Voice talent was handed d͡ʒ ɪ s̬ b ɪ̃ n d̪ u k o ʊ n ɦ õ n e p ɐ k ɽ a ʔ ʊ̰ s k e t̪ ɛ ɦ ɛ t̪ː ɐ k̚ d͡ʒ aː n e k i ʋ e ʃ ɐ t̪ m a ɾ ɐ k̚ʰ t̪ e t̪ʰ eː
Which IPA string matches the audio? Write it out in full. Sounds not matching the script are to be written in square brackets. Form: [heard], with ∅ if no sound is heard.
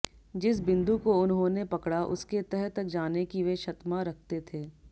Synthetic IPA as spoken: d͡ʒ ɪ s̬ b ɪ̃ n d̪ u k o ʊ n ɦ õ n e p ɐ k ɽ a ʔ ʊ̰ s k e t̪ ɛ ɦ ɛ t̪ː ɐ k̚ d͡ʒ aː n e k i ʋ e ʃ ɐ t̪ m a ɾ ɐ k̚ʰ t̪ e t̪ʰ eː